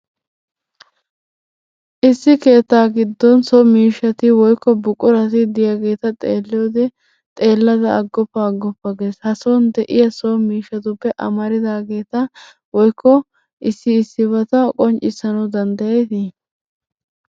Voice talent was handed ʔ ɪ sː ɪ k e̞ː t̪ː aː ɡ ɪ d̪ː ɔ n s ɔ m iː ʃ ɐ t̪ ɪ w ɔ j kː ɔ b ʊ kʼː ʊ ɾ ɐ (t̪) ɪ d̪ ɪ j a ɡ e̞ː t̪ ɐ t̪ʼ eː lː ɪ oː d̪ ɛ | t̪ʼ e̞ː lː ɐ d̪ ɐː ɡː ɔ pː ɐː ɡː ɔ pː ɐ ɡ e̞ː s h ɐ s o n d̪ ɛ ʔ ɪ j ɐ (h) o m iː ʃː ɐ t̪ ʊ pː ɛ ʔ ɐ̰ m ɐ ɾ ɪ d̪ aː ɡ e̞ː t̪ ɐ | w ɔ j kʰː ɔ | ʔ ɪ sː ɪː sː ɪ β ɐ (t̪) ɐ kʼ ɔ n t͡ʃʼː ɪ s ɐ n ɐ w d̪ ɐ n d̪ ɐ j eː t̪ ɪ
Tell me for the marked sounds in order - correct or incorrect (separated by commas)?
correct, incorrect, correct